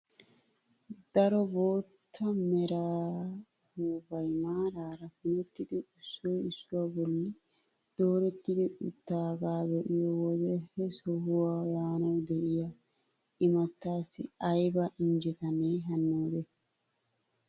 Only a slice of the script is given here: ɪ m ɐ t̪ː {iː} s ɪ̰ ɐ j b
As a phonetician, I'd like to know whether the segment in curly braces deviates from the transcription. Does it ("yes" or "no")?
yes